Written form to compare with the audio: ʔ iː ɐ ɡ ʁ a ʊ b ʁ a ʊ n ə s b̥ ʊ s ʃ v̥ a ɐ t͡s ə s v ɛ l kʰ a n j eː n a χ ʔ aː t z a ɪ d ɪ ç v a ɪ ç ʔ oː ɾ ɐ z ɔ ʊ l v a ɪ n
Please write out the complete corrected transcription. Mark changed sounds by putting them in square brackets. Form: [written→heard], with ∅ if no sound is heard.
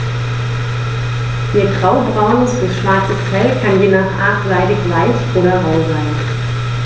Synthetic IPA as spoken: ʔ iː ɐ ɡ ʁ a ʊ b ʁ a ʊ n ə s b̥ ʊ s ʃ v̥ a ɐ t͡s ə s [v→f] ɛ l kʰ a n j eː n a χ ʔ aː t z a ɪ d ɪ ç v a ɪ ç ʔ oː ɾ ɐ [z→ʁ] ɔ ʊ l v a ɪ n